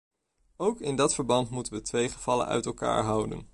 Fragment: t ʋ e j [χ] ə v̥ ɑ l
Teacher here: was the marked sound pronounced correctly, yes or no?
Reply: yes